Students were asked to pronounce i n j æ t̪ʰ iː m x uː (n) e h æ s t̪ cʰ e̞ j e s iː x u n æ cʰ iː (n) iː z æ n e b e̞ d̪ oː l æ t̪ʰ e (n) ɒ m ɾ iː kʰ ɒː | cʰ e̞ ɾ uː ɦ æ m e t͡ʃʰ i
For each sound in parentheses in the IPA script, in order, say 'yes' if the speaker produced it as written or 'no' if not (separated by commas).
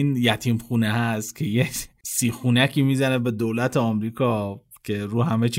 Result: yes, no, no